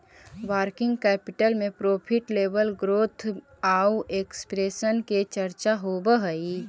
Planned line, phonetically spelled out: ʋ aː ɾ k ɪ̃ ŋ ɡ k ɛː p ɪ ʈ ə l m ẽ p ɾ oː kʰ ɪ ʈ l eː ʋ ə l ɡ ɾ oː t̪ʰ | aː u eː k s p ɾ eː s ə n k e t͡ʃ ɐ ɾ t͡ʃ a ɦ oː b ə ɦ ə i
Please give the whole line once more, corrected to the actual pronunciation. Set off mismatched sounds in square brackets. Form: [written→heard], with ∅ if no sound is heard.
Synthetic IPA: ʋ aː ɾ k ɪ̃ ŋ ɡ k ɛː p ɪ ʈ ə l m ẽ p ɾ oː [kʰ→pʰ] ɪ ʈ l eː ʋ ə l ɡ ɾ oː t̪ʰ | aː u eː k s p ɾ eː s ə n k e t͡ʃ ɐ ɾ t͡ʃ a ɦ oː b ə ɦ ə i

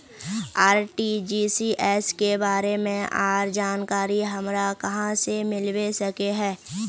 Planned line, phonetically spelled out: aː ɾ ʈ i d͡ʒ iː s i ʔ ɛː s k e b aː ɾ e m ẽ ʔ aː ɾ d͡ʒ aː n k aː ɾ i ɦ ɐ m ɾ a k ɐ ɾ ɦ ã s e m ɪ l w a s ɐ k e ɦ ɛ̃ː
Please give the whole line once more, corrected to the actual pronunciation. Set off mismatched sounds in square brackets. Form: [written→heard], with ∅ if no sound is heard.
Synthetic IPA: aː ɾ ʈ i d͡ʒ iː s i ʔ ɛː s k e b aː ɾ e m ẽ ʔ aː ɾ d͡ʒ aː n k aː ɾ i ɦ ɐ m ɾ a k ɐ [ɾ→∅] ɦ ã s e m ɪ l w [a→e] s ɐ k e ɦ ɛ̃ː

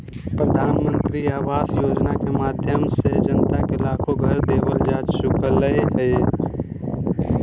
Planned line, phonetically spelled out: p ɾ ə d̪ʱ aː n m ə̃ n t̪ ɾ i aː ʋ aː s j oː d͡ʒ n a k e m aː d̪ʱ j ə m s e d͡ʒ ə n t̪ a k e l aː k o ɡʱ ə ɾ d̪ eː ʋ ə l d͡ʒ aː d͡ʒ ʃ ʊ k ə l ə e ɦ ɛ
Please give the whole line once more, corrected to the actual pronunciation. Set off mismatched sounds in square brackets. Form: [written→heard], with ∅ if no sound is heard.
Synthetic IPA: p ɾ ə d̪ʱ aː n m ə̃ n t̪ ɾ i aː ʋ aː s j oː d͡ʒ n a k e m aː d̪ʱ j ə m s e d͡ʒ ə n t̪ a k e l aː [k→kʰ] o ɡʱ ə ɾ d̪ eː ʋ ə l d͡ʒ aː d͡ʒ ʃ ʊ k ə l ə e ɦ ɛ

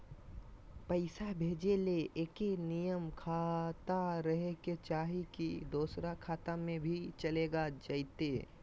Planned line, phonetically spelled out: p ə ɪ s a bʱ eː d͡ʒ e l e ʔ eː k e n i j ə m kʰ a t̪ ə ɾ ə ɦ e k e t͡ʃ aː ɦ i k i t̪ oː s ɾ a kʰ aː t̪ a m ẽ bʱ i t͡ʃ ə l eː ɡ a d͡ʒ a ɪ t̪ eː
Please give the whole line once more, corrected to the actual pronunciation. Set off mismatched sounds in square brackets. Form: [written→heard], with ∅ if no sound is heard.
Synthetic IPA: p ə ɪ s a bʱ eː d͡ʒ e l e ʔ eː k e n i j ə m kʰ a t̪ [ə→a] ɾ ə ɦ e k e t͡ʃ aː ɦ i k i [t̪→d̪] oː s ɾ a kʰ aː t̪ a m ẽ bʱ i t͡ʃ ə l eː ɡ a d͡ʒ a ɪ t̪ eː

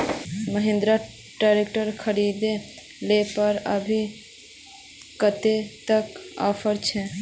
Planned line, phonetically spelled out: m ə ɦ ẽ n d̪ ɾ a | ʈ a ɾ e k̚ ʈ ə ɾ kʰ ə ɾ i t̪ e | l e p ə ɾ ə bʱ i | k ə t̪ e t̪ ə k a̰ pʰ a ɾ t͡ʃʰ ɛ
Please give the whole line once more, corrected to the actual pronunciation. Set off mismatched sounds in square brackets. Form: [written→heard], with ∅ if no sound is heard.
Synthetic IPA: m ə ɦ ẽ n d̪ ɾ a | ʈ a ɾ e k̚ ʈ ə ɾ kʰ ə ɾ i [t̪→d̪] e | l e p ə ɾ ə bʱ i | k ə t̪ e t̪ ə k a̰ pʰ [a→ə] ɾ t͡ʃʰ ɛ

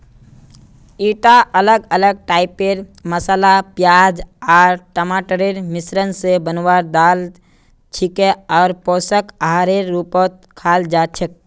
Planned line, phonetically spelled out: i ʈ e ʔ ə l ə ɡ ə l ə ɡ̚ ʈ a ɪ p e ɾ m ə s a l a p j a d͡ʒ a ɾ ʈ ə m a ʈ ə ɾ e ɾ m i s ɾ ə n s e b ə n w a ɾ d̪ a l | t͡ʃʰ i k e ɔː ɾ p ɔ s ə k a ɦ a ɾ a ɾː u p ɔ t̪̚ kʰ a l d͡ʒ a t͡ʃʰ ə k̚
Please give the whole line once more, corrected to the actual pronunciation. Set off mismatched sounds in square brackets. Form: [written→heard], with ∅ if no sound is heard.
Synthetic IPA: i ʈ [e→a] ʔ ə l ə ɡ ə l ə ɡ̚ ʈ a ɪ p e ɾ m ə s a l a p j a d͡ʒ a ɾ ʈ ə m a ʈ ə ɾ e ɾ m i s ɾ ə n s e b ə n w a ɾ d̪ a l | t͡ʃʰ i k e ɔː ɾ p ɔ s ə k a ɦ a ɾ [a→e] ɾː u p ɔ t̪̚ kʰ a l d͡ʒ a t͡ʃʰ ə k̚

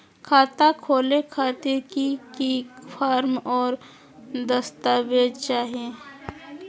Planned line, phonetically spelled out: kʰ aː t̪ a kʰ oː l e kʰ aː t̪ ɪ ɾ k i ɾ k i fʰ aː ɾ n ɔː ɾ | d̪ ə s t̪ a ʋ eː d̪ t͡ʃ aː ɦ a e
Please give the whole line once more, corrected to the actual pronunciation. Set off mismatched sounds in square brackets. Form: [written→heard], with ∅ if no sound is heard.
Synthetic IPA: kʰ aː t̪ a kʰ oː l e kʰ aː t̪ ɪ ɾ k i [ɾ→∅] k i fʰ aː ɾ [n→m] ɔː ɾ | d̪ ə s t̪ a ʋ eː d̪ t͡ʃ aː ɦ [a→i] e

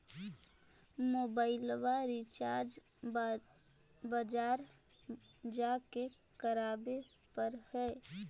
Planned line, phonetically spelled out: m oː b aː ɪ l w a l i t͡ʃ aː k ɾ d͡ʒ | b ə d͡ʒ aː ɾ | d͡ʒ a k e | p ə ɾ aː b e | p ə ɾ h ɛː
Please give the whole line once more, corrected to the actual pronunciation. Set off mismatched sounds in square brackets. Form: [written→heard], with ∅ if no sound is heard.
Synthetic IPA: m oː b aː ɪ l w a [l→ɾ] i t͡ʃ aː [k→∅] ɾ d͡ʒ | b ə d͡ʒ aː ɾ | d͡ʒ a k e | [p→k] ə ɾ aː b e | p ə ɾ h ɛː

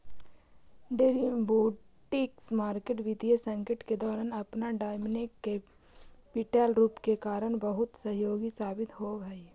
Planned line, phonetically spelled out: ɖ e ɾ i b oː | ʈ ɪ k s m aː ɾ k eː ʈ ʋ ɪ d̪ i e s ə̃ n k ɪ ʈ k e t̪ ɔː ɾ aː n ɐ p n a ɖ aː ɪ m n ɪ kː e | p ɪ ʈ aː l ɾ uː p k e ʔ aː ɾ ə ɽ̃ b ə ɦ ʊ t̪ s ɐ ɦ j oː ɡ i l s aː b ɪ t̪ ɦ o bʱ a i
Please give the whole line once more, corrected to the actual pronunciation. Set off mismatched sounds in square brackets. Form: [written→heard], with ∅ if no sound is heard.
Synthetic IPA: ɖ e ɾ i b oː | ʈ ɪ k s m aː ɾ k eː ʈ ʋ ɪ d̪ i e s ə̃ [n→ŋ] k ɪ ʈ k e [t̪→d̪] ɔː ɾ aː n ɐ p n a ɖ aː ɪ m n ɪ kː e | p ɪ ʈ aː l ɾ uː p k e [ʔ→k] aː ɾ ə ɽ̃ b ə ɦ ʊ t̪ s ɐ ɦ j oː ɡ i [l→∅] s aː b ɪ t̪ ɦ o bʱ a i

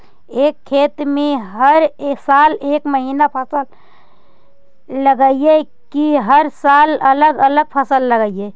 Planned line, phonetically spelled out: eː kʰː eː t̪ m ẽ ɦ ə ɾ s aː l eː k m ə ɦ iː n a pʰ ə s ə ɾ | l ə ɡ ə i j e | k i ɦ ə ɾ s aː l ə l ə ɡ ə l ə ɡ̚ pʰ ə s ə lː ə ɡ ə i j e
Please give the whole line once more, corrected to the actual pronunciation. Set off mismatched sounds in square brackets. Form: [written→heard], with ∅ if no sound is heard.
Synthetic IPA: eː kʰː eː t̪ m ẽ ɦ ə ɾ s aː l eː k m ə ɦ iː n a pʰ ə s ə [ɾ→l] | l ə ɡ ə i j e | k i ɦ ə ɾ s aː l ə l ə ɡ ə l ə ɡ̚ pʰ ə s ə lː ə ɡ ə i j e

